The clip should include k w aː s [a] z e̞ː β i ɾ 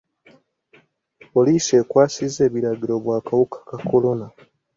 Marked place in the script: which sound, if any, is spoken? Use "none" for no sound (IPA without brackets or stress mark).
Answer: i